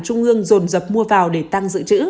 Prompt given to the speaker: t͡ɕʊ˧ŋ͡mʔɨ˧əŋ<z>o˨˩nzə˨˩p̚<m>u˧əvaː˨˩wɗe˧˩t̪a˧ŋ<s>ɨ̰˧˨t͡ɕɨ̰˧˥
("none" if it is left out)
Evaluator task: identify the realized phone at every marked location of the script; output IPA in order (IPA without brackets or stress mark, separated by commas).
z, m, z